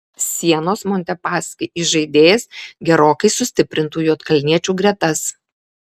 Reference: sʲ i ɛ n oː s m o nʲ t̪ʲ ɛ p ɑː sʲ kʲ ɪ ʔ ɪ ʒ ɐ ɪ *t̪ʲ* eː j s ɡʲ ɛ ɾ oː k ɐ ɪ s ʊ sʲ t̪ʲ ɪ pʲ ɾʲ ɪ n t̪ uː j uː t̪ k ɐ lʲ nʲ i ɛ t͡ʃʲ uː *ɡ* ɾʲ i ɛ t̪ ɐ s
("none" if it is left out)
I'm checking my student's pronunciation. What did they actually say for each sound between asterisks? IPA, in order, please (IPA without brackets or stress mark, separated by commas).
d̪ʲ, ɡ